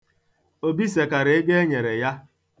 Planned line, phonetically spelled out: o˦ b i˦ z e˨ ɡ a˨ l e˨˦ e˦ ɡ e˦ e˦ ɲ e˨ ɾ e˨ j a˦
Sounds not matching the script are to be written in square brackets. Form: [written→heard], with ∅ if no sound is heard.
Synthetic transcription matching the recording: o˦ b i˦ [z→s] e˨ [ɡ→k] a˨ [l→ɾ] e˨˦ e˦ ɡ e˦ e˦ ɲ e˨ ɾ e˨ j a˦

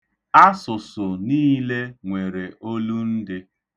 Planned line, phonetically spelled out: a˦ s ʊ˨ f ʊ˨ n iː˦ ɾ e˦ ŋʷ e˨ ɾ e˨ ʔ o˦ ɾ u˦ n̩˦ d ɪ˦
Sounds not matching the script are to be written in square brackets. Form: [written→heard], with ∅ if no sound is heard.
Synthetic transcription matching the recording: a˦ s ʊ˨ [f→s] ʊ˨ n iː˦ [ɾ→l] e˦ ŋʷ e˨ ɾ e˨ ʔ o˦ [ɾ→l] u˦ n̩˦ d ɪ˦

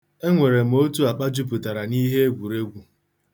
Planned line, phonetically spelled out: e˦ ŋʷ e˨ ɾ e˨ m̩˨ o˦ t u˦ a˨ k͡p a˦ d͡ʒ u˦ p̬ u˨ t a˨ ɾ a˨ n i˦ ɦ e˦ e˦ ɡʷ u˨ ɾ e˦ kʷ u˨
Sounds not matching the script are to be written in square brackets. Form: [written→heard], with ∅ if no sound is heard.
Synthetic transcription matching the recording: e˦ ŋʷ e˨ ɾ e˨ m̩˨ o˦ t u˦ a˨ k͡p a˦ d͡ʒ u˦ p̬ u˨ t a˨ ɾ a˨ n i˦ ɦ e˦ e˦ ɡʷ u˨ ɾ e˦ [kʷ→ɡʷ] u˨

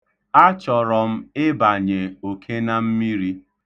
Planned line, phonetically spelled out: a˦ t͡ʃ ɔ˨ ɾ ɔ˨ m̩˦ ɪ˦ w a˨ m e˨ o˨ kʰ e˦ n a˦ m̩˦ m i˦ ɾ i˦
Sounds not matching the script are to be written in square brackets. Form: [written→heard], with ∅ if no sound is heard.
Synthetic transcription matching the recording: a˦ t͡ʃ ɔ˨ ɾ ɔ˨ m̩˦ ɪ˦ [w→b] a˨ [m→ɲ] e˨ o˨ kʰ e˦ n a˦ m̩˦ m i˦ ɾ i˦

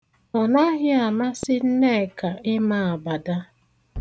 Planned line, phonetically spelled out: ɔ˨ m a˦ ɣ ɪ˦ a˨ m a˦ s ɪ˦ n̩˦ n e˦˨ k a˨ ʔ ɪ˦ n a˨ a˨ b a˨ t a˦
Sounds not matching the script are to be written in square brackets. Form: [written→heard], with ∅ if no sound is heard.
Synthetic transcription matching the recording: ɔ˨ [m→n] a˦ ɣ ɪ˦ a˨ m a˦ s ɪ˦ n̩˦ n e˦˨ k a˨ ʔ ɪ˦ [n→m] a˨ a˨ b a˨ [t→d] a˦

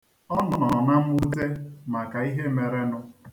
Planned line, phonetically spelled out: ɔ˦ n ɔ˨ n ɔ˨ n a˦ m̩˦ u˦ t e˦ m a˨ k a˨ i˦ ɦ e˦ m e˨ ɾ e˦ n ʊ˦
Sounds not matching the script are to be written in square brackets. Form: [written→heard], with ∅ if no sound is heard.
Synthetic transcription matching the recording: ɔ˦ n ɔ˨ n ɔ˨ n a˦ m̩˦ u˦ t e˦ m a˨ k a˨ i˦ ɦ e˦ m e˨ ɾ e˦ n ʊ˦

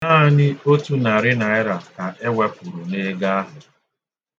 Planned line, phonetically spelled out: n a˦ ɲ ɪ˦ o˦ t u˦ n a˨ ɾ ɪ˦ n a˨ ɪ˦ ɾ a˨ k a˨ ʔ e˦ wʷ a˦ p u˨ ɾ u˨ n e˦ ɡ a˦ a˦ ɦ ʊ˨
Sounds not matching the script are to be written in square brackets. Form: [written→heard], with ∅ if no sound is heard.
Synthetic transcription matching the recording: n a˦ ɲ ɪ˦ o˦ t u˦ n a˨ ɾ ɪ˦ n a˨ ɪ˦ ɾ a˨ k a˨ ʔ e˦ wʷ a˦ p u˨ ɾ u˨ n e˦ ɡ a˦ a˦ ɦ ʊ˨

